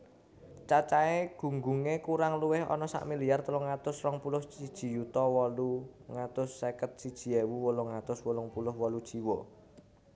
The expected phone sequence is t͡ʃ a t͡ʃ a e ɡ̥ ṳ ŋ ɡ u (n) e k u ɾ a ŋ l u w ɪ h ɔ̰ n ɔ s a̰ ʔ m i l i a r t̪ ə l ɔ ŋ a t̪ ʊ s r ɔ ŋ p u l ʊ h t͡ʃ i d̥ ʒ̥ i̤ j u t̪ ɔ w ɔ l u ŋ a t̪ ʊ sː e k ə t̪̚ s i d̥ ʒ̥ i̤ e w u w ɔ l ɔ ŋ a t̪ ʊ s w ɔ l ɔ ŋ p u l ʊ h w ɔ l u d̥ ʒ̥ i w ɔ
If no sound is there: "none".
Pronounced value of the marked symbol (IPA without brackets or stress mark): ŋ